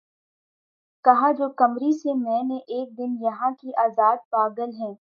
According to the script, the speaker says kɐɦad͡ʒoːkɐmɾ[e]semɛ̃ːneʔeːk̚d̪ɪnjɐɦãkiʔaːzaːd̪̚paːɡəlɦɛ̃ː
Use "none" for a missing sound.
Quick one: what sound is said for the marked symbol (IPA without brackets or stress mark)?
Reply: i